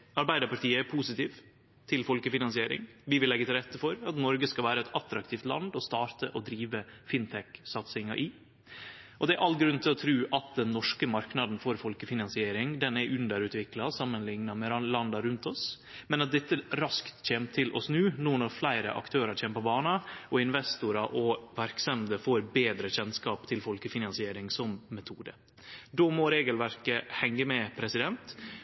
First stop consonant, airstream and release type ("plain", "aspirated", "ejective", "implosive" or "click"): plain